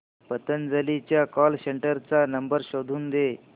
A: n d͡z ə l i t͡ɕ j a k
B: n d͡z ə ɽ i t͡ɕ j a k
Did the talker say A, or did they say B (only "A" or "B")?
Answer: A